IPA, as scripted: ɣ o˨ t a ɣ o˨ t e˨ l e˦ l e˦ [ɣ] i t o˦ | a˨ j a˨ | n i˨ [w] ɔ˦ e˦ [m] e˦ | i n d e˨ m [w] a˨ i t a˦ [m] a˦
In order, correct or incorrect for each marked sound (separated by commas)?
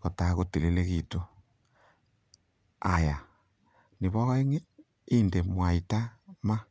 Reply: correct, incorrect, incorrect, correct, correct